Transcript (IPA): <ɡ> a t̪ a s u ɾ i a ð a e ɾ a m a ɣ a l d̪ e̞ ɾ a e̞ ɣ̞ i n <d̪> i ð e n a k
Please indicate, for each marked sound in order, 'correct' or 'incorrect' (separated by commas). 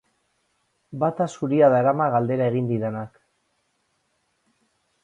incorrect, correct